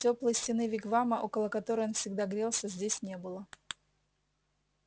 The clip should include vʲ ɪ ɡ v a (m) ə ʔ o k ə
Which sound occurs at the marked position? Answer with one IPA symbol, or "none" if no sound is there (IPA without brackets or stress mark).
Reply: m